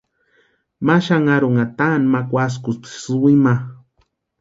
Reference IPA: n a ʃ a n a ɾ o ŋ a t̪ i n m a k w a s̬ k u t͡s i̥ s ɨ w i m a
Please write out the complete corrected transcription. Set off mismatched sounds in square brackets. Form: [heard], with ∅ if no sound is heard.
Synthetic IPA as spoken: [m] a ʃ a [ŋ] a ɾ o ŋ a t̪ [a] n m a k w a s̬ k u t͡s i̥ s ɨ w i m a